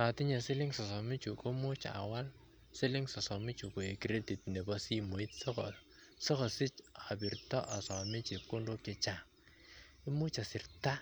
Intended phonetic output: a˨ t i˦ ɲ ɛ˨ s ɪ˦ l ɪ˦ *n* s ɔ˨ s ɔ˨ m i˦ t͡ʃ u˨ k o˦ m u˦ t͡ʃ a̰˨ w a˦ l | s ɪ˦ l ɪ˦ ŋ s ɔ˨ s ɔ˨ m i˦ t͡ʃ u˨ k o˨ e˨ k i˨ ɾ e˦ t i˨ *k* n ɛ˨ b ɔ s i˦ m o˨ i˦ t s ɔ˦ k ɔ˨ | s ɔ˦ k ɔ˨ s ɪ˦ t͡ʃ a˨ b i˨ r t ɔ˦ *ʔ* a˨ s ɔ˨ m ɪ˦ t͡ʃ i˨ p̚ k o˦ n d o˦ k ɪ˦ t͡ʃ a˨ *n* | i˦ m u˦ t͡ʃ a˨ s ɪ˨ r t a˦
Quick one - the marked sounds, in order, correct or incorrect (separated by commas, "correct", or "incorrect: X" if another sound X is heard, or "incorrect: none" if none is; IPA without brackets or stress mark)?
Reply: incorrect: ŋ, incorrect: t, correct, incorrect: ŋ